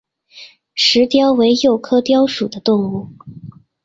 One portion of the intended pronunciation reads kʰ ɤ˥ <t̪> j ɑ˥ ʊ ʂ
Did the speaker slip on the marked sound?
no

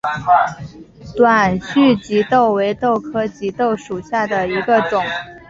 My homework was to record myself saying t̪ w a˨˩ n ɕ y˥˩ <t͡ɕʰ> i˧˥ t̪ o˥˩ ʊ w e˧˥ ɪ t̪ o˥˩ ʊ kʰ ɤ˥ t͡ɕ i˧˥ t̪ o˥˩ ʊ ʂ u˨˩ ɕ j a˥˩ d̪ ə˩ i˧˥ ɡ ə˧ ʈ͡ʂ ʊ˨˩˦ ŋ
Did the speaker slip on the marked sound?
yes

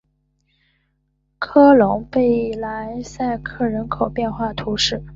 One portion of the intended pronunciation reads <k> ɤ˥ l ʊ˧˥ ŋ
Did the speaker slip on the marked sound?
yes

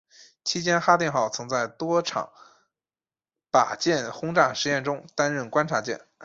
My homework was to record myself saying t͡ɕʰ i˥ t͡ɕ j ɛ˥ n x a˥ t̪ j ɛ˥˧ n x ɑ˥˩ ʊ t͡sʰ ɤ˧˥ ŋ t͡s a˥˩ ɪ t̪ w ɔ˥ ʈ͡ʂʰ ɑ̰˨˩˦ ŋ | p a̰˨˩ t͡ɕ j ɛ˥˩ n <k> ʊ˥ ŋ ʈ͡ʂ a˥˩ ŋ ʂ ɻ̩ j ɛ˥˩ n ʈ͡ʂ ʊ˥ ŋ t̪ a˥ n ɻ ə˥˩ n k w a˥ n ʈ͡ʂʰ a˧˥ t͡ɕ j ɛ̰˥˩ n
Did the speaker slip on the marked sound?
yes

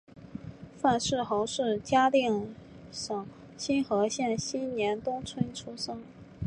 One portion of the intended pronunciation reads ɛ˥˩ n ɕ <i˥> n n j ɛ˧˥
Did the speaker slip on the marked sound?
no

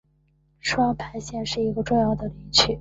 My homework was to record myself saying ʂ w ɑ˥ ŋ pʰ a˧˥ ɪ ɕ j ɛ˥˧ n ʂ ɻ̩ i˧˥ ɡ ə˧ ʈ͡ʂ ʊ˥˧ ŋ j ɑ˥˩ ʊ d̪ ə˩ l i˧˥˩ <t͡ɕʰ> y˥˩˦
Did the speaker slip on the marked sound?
no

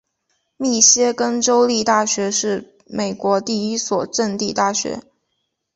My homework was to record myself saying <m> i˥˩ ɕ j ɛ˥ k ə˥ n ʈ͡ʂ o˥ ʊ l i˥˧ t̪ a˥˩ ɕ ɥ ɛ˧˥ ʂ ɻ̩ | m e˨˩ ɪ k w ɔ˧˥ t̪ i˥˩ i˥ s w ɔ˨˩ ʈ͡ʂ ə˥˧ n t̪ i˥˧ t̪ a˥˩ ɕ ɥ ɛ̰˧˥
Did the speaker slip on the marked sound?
no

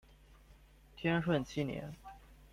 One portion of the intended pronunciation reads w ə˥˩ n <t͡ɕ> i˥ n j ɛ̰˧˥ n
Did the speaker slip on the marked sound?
yes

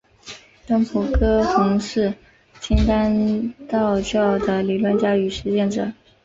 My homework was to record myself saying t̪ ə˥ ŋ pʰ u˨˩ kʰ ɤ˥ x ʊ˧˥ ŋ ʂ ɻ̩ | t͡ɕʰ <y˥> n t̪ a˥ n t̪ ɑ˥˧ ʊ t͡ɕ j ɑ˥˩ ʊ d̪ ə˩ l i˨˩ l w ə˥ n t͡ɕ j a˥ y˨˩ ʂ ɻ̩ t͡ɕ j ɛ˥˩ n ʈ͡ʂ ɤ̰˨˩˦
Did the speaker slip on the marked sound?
yes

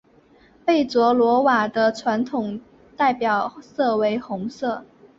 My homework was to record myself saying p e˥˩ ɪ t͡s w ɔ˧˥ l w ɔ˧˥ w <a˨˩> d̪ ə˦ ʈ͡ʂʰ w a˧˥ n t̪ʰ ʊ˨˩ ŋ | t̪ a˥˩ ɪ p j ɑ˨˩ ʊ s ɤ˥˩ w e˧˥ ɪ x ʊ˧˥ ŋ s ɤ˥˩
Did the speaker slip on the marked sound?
no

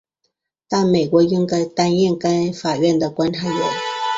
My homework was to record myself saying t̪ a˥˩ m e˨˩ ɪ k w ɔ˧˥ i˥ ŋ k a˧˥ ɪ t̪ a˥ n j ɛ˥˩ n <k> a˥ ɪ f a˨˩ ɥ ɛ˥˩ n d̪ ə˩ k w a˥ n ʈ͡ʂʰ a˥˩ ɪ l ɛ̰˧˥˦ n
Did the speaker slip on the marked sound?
no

